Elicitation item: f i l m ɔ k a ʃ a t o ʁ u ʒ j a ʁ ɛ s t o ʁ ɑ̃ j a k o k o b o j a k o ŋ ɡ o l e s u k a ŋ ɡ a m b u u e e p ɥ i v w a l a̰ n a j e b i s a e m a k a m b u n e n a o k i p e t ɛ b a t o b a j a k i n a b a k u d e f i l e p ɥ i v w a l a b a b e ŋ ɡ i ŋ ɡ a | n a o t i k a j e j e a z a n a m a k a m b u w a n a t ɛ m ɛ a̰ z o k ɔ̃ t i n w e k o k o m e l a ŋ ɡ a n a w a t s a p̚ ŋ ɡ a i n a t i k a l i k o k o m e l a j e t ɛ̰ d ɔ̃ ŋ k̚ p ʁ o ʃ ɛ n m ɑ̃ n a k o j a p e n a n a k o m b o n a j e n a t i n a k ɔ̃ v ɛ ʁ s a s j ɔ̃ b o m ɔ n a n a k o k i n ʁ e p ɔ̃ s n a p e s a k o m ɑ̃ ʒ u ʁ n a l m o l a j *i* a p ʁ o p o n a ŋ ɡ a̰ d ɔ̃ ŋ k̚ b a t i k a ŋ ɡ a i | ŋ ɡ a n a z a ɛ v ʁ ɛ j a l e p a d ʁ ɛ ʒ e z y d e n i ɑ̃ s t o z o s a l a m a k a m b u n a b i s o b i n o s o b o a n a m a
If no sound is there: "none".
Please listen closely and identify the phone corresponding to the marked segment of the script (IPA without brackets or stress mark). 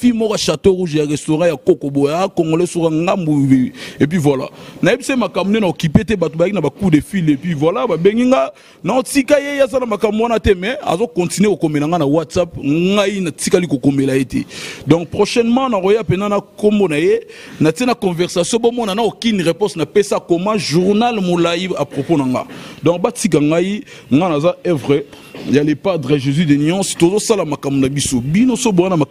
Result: i